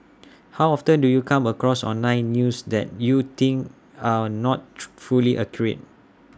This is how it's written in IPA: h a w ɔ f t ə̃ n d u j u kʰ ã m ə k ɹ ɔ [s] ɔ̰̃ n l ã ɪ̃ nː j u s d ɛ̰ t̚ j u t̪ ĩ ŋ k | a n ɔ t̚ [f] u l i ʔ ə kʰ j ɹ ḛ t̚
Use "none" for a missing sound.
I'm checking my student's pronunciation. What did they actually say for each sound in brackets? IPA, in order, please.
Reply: s, f

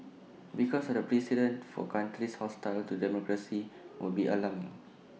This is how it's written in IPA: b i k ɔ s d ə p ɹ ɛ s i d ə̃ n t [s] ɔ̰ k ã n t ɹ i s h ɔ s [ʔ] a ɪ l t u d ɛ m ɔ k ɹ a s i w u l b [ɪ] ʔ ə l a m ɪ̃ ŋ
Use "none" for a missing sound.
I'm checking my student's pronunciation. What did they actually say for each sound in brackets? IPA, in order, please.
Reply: f, t, i

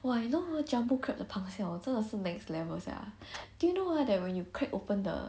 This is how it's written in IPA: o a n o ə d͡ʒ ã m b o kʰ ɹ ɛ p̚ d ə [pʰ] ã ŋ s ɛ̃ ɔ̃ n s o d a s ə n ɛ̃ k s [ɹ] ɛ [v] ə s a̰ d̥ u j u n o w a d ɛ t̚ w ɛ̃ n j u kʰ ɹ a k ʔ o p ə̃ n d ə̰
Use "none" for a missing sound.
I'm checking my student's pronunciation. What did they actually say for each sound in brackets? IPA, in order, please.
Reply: pʰ, l, v

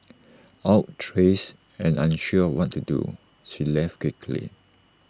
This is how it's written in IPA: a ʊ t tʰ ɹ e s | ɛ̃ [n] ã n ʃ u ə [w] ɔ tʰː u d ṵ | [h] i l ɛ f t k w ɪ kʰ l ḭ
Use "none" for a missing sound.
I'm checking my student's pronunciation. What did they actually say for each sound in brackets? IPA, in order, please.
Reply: n, w, ʃ

